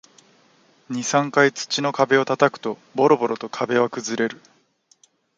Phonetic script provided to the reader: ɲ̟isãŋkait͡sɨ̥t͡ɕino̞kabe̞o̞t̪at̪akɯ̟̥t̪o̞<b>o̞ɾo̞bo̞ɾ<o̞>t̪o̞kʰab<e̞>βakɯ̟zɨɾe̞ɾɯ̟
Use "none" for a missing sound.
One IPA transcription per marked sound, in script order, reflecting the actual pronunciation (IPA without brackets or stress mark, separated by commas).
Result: b, o̞, e̞